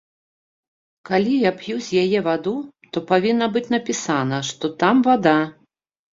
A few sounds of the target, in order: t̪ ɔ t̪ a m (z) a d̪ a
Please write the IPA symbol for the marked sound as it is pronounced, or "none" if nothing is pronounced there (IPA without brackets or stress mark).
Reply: v